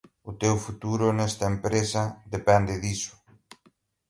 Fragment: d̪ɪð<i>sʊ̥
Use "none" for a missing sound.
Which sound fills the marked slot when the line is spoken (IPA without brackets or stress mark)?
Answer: i